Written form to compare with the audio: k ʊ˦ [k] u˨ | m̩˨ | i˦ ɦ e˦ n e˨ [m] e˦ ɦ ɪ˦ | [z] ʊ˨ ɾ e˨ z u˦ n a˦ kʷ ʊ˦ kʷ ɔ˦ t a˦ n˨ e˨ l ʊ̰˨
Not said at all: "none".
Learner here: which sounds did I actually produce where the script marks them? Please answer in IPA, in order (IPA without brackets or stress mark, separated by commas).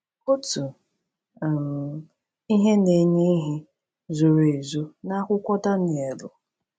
t, ɲ, z